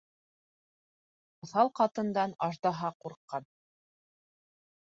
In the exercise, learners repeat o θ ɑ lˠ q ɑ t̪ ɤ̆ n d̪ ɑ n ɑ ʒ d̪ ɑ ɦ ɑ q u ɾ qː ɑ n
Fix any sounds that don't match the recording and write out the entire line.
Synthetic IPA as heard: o θ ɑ lˠ q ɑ t̪ ɤ̆ n d̪ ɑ n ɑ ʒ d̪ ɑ ɦ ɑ q u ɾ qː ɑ n